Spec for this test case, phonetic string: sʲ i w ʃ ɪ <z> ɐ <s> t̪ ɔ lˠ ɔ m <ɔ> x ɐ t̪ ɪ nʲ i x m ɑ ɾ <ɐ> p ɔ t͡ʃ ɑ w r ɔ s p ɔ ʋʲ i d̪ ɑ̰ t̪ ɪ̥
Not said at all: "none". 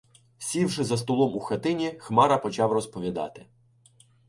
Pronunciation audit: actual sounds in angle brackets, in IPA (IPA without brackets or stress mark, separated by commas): z, s, u, ɐ